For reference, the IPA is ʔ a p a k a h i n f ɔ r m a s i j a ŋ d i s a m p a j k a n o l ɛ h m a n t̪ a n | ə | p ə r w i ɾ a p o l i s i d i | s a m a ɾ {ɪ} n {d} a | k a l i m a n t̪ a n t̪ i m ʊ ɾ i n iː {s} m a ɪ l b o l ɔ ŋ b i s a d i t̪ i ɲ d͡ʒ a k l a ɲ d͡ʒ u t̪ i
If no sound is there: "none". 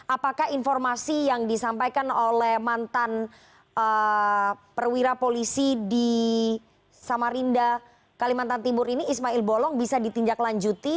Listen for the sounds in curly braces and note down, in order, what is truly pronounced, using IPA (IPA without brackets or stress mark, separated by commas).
i, d, s